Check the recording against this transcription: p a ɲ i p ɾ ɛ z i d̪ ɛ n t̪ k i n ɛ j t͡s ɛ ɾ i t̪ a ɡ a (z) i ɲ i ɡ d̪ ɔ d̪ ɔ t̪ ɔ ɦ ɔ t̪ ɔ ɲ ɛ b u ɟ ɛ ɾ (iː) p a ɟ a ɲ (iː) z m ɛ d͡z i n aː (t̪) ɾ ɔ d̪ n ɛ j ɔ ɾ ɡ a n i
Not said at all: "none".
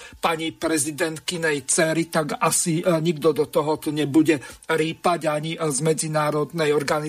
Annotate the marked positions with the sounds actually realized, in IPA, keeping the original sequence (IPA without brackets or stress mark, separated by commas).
s, iː, i, none